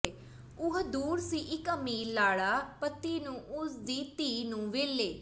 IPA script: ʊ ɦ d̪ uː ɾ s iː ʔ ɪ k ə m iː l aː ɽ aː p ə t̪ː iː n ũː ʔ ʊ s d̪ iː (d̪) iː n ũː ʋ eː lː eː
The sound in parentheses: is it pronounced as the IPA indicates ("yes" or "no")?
no